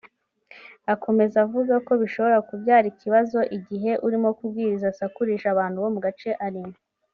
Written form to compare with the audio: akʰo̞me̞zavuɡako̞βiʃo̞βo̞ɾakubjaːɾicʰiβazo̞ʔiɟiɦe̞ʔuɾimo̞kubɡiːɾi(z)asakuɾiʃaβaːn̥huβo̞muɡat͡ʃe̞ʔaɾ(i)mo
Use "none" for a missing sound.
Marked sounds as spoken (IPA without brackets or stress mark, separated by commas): z, i